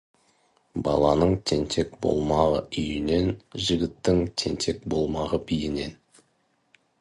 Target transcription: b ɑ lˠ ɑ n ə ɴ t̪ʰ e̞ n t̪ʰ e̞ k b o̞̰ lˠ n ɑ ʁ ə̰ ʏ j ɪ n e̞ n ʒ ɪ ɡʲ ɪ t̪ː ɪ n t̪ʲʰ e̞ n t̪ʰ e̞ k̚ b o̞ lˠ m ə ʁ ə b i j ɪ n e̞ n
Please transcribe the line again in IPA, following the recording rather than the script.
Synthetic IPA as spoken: b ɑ lˠ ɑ n ə ɴ t̪ʰ e̞ n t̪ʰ e̞ k b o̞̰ lˠ m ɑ ʁ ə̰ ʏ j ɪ n e̞ n ʒ ɪ ɡʲ ɪ t̪ː ɪ ŋ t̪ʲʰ e̞ n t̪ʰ e̞ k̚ b o̞ lˠ m ɑ ʁ ə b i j ɪ n e̞ n